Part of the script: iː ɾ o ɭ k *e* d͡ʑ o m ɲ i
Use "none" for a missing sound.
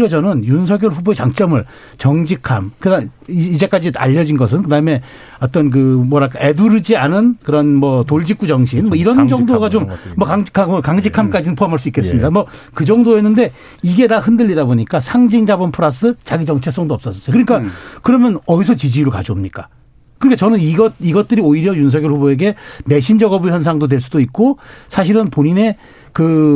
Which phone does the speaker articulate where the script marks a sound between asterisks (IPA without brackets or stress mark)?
a